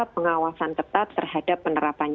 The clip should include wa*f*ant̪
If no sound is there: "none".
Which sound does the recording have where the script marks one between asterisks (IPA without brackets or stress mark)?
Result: s